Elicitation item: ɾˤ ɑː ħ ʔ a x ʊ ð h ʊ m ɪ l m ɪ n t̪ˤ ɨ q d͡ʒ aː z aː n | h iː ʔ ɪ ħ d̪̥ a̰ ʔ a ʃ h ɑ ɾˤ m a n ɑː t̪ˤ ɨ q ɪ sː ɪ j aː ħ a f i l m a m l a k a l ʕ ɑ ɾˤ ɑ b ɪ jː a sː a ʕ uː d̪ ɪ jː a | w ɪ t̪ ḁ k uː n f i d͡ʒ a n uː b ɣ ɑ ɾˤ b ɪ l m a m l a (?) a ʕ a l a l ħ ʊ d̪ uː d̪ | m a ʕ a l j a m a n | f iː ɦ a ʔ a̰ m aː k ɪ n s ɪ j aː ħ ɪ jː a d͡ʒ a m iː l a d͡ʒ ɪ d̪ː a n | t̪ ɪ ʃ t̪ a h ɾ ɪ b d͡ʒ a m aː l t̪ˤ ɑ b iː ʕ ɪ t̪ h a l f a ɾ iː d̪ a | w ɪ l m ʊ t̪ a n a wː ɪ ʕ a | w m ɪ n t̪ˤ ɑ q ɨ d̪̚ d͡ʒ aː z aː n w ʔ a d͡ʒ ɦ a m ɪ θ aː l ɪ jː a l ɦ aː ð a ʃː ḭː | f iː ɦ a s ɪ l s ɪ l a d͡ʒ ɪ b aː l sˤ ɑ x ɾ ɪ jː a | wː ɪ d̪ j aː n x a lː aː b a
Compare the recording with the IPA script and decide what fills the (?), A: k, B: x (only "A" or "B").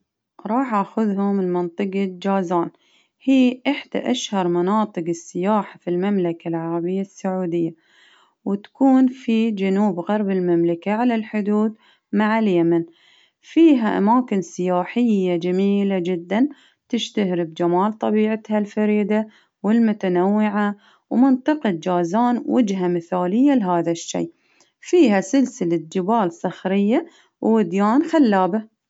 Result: A